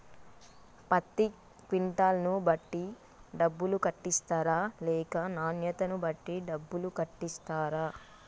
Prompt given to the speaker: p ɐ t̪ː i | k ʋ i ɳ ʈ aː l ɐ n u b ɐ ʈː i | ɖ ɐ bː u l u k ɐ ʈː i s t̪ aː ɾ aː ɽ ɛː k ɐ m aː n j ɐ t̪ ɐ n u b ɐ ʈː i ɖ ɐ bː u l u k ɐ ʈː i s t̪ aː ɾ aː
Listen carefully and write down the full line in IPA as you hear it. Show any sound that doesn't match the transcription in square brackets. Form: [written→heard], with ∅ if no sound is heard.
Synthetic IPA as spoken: p ɐ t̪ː i | k ʋ i ɳ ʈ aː l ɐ n u b ɐ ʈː i | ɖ ɐ bː u l u k ɐ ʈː i s t̪ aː ɾ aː [ɽ→l] ɛː k ɐ [m→n] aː n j ɐ t̪ ɐ n u b ɐ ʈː i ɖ ɐ bː u l u k ɐ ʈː i s t̪ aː ɾ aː